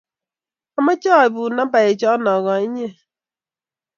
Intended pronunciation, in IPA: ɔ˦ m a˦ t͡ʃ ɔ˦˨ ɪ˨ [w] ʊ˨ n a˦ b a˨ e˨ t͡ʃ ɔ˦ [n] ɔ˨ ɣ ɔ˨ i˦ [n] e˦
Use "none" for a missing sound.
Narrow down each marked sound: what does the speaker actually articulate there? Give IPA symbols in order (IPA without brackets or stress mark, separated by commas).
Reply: b, n, ɲ